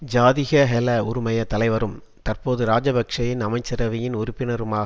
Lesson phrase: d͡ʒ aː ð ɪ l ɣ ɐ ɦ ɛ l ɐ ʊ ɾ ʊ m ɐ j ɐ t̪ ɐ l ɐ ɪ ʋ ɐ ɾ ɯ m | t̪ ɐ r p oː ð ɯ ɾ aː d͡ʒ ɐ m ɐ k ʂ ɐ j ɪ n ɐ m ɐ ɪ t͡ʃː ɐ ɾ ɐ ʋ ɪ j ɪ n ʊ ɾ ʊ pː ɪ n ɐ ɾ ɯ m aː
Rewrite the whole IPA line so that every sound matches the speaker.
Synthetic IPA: d͡ʒ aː ð ɪ ɣ ɐ ɦ ɛ l ɐ ʊ ɾ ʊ m ɐ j ɐ t̪ ɐ l ɐ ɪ ʋ ɐ ɾ ɯ m | t̪ ɐ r p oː ð ɯ ɾ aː d͡ʒ ɐ b ɐ k ʂ ɐ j ɪ n ɐ m ɐ ɪ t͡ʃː ɐ ɾ ɐ ʋ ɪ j ɪ n ʊ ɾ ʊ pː ɪ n ɐ ɾ ɯ m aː